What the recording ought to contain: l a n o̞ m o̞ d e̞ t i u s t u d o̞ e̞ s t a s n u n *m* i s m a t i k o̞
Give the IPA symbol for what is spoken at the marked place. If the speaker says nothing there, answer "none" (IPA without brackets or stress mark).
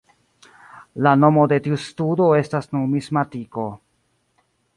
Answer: m